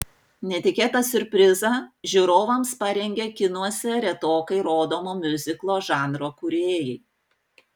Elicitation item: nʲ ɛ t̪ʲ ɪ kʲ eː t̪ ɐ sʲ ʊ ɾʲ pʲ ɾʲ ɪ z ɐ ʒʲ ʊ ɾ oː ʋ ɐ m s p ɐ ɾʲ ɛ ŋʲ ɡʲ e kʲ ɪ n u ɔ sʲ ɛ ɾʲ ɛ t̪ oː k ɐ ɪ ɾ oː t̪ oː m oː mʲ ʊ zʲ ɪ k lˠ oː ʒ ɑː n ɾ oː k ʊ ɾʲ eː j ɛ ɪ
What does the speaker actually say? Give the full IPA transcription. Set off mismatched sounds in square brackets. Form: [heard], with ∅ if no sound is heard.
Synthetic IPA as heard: nʲ ɛ t̪ʲ ɪ kʲ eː t̪ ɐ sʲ ʊ ɾʲ pʲ ɾʲ ɪ z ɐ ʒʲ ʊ ɾ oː ʋ ɐ m s p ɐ ɾʲ ɛ ŋʲ ɡʲ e kʲ ɪ n u ɔ sʲ ɛ ɾʲ ɛ t̪ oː k ɐ ɪ ɾ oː [d̪] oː m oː mʲ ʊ zʲ ɪ k lˠ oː ʒ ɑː n ɾ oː k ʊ ɾʲ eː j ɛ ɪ